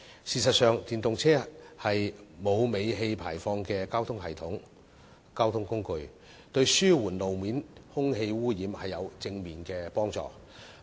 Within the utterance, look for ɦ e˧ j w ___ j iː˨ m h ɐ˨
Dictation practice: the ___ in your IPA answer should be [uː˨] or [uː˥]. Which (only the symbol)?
uː˥